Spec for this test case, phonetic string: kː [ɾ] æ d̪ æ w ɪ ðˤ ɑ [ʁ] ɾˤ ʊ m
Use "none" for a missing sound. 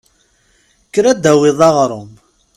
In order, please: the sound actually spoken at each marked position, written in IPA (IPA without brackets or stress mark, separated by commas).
ɾ, ʁ